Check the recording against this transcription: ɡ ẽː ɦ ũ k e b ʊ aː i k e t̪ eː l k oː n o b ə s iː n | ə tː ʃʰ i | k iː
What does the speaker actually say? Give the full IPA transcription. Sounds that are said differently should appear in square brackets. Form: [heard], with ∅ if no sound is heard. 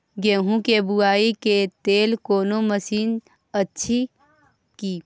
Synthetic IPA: ɡ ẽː ɦ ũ k e b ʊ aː i k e t̪ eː l k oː n o [m] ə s iː n | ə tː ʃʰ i | k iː